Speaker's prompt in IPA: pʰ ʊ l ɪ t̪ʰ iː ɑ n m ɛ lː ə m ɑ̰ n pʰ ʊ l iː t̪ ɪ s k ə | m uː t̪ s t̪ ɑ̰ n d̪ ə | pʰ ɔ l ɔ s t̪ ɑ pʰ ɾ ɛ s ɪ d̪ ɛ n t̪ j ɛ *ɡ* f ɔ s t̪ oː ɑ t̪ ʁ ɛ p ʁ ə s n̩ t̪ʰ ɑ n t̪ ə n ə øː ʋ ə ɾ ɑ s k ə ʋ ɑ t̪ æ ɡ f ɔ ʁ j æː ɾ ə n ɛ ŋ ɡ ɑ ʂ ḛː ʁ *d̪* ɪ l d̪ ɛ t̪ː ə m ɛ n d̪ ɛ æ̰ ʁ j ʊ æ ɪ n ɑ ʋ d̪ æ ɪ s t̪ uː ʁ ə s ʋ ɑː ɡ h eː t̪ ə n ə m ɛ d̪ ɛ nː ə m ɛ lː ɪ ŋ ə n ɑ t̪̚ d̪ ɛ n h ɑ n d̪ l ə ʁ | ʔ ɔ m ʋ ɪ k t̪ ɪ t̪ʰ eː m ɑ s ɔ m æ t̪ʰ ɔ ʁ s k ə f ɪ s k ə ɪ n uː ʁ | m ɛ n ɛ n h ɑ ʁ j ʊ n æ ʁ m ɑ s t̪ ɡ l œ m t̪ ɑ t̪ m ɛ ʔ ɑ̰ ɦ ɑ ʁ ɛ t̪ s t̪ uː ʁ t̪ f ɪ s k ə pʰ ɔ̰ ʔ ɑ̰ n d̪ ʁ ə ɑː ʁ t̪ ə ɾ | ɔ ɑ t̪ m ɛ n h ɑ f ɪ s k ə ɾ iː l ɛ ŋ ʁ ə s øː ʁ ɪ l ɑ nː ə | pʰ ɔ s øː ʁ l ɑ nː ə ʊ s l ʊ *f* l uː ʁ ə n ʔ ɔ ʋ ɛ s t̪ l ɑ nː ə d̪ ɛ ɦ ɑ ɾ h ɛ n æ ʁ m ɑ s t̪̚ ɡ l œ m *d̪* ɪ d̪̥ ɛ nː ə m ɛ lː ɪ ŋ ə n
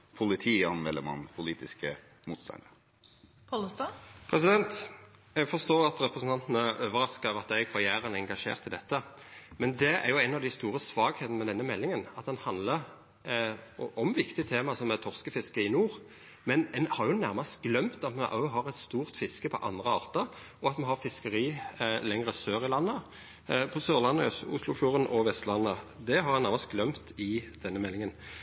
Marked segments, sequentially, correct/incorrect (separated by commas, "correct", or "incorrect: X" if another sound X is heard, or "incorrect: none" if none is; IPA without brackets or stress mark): correct, incorrect: t̪, correct, incorrect: t̪